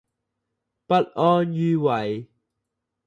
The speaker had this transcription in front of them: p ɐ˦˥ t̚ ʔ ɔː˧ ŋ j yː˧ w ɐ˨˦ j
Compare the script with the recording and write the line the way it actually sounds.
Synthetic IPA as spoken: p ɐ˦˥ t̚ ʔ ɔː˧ n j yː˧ w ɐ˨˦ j

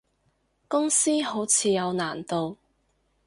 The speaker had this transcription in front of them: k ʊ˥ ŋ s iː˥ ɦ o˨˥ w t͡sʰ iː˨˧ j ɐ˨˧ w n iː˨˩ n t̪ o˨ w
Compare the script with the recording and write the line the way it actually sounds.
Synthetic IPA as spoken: k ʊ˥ ŋ s iː˥ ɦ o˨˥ w t͡sʰ iː˨˧ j ɐ˨˧ w n aː˨˩ n t̪ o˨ w

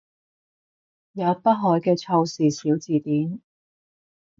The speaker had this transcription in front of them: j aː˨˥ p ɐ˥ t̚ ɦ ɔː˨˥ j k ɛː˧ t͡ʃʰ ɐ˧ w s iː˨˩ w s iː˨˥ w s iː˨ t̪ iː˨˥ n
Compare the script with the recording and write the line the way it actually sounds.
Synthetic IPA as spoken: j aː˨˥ p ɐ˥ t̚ ɦ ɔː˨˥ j k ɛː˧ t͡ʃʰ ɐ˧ w s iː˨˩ s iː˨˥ w t͡s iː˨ t̪ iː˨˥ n

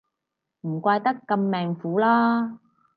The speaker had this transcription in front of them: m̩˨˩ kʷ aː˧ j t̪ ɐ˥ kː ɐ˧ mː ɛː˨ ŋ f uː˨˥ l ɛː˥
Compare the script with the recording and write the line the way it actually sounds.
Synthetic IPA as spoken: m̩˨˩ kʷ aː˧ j t̪ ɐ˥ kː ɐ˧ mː ɛː˨ ŋ f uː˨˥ l aː˥

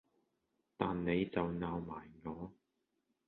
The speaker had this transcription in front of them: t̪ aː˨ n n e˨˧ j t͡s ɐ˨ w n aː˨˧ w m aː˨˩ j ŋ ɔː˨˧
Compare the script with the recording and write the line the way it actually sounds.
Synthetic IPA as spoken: t̪ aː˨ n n e˨˧ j t͡s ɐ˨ w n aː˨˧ w m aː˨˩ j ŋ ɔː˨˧

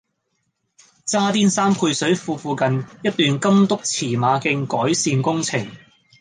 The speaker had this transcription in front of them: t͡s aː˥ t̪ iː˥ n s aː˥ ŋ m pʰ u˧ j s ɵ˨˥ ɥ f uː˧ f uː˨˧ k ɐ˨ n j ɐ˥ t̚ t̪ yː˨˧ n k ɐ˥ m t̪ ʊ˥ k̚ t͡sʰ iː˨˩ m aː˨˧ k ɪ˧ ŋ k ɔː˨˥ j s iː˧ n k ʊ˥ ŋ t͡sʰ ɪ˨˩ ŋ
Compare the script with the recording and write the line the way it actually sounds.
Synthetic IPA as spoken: t͡s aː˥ t̪ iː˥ n s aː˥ m pʰ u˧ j s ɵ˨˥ ɥ f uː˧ f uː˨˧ k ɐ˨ n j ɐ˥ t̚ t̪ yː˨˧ n k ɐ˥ m t̪ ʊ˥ k̚ t͡sʰ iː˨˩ m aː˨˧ k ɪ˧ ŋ k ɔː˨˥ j s iː˧ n k ʊ˥ ŋ t͡sʰ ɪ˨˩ ŋ

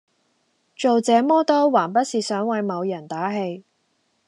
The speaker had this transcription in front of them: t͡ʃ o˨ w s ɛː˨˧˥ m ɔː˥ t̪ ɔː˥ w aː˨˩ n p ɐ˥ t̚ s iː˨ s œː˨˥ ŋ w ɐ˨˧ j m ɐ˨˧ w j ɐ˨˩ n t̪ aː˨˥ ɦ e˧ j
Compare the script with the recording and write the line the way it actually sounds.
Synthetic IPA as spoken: t͡ʃ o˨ w t͡s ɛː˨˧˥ m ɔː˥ t̪ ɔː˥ w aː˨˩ n p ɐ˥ t̚ s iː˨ s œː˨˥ ŋ w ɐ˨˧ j m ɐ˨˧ w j ɐ˨˩ n t̪ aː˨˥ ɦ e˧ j

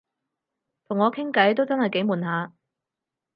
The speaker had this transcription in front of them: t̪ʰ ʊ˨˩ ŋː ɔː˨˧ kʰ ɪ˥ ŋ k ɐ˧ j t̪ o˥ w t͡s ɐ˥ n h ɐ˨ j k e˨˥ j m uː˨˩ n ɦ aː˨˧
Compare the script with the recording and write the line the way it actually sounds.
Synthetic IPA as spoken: t̪ʰ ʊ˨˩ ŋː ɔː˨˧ kʰ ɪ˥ ŋ k ɐ˨˥ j t̪ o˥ w t͡s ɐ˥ n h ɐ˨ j k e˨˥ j m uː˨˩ n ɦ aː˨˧

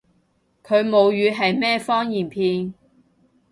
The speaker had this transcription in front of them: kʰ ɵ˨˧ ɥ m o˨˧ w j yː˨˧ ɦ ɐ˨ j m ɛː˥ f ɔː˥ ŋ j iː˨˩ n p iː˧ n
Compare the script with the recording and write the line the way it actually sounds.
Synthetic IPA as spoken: kʰ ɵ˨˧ ɥ m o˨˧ w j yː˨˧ ɦ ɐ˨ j m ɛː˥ f ɔː˥ ŋ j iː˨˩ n pʰ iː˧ n

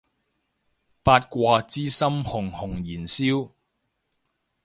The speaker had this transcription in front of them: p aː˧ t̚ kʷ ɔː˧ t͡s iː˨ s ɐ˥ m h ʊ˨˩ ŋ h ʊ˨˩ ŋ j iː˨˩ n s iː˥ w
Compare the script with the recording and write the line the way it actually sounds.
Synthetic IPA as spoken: p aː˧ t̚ kʷ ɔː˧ t͡s iː˥ s ɐ˥ m h ʊ˨˩ ŋ h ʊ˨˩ ŋ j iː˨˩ n s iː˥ w

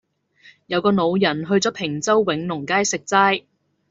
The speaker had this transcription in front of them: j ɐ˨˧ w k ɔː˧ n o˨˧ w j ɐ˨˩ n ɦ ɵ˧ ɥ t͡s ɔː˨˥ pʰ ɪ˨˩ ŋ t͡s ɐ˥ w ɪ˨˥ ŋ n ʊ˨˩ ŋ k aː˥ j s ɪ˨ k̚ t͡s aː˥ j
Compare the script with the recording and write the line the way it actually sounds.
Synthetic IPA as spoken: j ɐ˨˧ w k ɔː˧ n o˨˧ w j ɐ˨˩ n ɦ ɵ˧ ɥ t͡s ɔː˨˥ pʰ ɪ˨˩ ŋ t͡s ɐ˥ wː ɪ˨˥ ŋ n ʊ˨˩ ŋ k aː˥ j s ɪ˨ k̚ t͡s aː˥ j

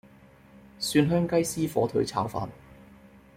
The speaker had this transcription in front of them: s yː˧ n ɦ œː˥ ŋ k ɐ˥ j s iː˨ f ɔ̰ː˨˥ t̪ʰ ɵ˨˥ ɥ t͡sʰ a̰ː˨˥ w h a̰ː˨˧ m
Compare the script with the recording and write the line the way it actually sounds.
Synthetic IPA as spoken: s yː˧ n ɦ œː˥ ŋ k ɐ˥ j s iː˥ f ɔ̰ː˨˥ t̪ʰ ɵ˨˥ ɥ t͡sʰ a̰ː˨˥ w f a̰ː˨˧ n

